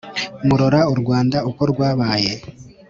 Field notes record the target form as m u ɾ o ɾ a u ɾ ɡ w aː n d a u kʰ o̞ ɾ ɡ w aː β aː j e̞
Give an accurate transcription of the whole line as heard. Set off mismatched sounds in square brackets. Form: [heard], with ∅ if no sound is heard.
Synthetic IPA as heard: m u ɾ o ɾ a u ɾ ɡ w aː n d a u [k] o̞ ɾ ɡ w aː β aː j e̞